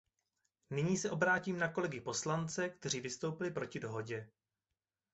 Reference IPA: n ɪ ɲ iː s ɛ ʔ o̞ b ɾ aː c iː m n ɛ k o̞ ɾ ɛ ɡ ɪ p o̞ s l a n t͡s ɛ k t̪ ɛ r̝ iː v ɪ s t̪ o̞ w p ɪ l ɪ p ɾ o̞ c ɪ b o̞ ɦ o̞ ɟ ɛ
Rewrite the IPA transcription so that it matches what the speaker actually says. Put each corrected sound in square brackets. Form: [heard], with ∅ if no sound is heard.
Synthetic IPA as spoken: n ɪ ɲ iː s ɛ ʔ o̞ b ɾ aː c iː m n [a] k o̞ [l] ɛ ɡ ɪ p o̞ s l a n t͡s ɛ k t̪ ɛ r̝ iː v ɪ s t̪ o̞ w p ɪ l ɪ p ɾ o̞ c ɪ [d] o̞ ɦ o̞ ɟ ɛ